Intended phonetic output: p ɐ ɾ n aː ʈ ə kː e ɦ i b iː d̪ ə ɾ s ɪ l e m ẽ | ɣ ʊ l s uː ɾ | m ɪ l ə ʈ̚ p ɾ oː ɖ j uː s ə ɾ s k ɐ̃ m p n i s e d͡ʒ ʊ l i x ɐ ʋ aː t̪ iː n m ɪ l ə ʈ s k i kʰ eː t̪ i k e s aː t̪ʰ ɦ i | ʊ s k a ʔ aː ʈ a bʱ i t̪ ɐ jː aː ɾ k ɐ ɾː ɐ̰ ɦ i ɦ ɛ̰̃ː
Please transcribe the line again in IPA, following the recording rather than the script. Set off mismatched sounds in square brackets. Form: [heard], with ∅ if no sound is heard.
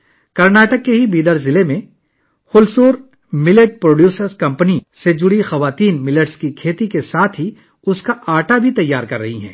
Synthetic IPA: [k] ɐ ɾ n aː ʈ ə kː e ɦ i b iː d̪ ə ɾ [z] ɪ l e m ẽ | [x] ʊ l s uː ɾ | m ɪ l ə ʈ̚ p ɾ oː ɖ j uː s ə ɾ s k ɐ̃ m p n i s e d͡ʒ ʊ [ɽ] i x ɐ ʋ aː t̪ iː n m ɪ l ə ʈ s k i kʰ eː t̪ i k e s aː t̪ʰ ɦ i | ʊ s k a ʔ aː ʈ a bʱ i t̪ ɐ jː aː ɾ k ɐ ɾː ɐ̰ ɦ i ɦ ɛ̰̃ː